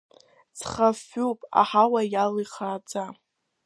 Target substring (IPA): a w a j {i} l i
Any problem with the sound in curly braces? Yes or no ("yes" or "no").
yes